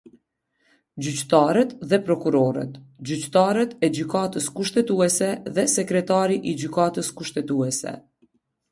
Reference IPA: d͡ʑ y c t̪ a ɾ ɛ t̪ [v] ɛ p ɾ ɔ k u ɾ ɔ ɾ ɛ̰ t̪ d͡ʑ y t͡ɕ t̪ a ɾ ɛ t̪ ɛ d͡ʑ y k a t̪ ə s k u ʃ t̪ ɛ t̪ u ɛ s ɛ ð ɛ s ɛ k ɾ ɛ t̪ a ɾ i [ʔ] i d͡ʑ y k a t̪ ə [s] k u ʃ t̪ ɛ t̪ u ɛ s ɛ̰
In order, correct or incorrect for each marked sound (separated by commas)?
incorrect, correct, correct